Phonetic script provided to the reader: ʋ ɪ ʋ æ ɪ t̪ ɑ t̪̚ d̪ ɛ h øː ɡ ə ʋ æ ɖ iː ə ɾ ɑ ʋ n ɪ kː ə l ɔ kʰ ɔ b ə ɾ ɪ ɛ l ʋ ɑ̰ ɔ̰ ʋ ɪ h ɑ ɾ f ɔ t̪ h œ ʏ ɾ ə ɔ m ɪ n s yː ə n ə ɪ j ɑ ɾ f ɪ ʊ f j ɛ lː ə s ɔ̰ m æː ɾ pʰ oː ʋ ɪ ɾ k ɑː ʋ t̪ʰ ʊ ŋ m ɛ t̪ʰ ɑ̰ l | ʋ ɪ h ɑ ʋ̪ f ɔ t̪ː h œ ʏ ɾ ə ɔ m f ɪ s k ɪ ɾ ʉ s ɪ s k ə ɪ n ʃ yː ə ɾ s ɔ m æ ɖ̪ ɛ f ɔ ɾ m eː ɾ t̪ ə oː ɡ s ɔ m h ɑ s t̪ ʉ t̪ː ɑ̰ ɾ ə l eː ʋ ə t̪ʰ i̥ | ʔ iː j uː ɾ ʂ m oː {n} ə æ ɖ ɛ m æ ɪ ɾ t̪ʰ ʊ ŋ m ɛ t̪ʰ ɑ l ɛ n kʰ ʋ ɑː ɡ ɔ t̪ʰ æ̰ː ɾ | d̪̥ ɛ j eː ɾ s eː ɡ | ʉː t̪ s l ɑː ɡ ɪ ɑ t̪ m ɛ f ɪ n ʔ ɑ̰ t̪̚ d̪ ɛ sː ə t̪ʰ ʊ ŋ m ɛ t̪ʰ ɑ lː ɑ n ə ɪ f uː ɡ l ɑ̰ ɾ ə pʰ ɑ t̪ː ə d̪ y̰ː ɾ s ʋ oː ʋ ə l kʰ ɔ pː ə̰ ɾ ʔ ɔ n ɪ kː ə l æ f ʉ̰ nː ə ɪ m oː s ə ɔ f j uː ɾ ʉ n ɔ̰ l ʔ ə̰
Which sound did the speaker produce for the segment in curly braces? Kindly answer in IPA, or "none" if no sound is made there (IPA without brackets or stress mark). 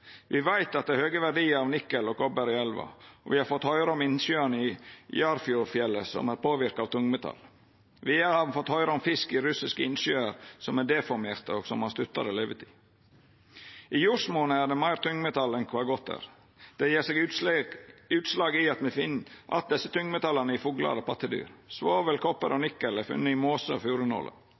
n